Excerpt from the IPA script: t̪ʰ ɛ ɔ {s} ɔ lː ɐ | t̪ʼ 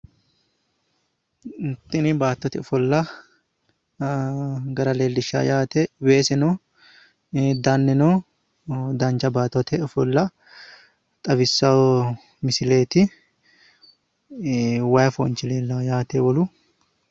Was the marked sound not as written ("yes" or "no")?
yes